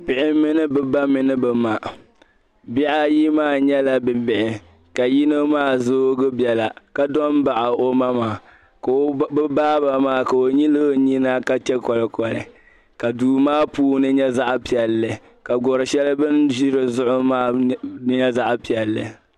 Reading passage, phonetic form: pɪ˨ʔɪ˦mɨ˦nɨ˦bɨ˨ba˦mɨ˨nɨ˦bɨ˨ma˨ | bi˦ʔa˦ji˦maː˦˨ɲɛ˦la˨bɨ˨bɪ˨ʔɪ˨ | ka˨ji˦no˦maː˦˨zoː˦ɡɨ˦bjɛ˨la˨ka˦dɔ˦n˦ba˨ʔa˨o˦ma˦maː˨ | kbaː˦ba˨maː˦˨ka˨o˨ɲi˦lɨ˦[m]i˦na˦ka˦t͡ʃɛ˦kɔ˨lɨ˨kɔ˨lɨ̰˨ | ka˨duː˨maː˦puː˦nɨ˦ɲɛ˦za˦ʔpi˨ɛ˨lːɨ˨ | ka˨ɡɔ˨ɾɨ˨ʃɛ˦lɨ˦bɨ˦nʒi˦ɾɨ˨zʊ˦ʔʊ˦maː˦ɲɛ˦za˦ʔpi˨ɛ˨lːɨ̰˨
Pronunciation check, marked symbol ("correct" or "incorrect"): incorrect